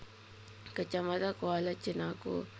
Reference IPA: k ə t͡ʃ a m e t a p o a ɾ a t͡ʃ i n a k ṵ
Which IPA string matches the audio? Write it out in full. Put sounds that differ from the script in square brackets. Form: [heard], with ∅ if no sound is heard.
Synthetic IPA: k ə t͡ʃ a m [a] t a [k] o a [l] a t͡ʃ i n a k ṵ